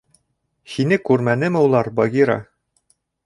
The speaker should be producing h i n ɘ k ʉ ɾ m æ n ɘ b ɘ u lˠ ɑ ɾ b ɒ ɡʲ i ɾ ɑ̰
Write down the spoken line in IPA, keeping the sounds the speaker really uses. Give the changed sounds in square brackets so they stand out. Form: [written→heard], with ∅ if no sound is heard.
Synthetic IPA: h i n ɘ k ʉ ɾ m æ n ɘ [b→m] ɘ u lˠ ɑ ɾ b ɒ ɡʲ i ɾ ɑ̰